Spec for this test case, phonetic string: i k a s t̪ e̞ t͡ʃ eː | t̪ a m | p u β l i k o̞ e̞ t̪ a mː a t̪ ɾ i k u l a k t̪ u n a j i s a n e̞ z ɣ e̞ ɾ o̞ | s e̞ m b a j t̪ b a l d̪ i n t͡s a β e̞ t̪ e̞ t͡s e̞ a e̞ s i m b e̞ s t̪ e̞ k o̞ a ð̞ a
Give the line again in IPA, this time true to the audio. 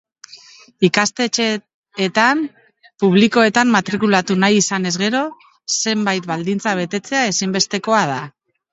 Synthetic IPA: i k a s t̪ e̞ t͡ʃ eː | t̪ a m | p u β l i k o̞ e̞ t̪ a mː a t̪ ɾ i k u l a t̪ u n a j i s a n e̞ z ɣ e̞ ɾ o̞ | s e̞ m b a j t̪ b a l d̪ i n t͡s a β e̞ t̪ e̞ t͡s e̞ a e̞ s i m b e̞ s t̪ e̞ k o̞ a ð̞ a